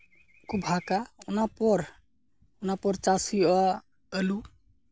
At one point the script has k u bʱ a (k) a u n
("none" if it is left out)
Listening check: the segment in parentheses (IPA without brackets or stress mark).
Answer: k